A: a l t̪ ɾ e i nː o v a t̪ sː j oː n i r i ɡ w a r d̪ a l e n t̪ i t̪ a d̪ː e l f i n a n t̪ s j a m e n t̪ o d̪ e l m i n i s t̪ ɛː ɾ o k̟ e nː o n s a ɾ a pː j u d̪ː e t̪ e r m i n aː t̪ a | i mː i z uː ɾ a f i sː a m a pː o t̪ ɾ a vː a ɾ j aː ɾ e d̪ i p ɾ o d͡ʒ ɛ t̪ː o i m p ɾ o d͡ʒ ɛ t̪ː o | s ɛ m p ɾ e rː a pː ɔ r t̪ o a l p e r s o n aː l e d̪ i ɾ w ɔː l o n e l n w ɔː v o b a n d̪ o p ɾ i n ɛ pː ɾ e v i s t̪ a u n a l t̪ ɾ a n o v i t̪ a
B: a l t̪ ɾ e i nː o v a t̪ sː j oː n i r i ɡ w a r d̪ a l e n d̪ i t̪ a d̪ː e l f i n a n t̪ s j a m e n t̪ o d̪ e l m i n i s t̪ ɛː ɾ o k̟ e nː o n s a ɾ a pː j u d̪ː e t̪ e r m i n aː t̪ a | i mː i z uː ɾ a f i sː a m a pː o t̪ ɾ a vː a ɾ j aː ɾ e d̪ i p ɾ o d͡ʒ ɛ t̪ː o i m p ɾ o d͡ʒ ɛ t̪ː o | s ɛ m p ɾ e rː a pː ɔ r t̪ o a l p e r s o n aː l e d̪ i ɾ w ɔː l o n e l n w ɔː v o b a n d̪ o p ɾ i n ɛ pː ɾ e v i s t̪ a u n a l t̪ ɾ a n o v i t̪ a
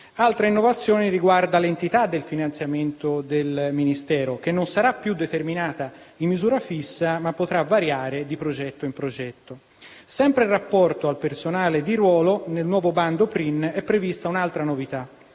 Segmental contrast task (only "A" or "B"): A